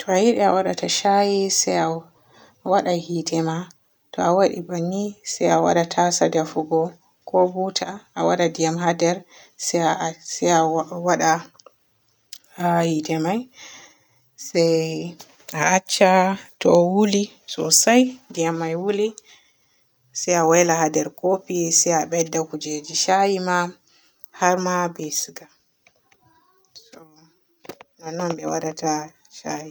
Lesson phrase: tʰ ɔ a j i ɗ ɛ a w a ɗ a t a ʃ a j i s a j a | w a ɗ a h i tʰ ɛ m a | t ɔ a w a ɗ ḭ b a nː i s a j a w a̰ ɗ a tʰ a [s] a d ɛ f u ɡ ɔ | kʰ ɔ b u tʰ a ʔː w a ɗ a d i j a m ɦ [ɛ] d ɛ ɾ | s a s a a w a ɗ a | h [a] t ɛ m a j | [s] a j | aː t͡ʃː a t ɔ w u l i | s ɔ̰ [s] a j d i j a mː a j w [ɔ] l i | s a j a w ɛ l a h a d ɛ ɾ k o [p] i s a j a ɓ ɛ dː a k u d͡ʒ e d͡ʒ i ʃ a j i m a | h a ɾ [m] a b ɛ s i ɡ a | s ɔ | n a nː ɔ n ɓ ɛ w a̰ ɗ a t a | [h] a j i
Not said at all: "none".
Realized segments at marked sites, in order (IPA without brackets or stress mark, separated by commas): s, a, i, s, s, u, p, m, ʃ